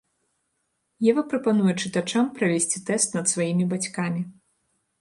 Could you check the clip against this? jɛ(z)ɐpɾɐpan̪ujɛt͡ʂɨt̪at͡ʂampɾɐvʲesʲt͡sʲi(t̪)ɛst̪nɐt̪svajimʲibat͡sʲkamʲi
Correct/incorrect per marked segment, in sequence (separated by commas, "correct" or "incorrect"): incorrect, correct